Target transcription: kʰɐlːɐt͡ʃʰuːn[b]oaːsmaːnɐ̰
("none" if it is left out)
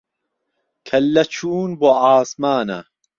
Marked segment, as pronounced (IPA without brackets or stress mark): b